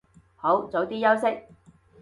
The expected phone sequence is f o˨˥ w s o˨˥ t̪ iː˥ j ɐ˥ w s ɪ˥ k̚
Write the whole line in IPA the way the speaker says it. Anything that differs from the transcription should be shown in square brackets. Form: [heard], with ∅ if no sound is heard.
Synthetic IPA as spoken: [h] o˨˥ w [t͡s] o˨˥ t̪ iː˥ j ɐ˥ w s ɪ˥ k̚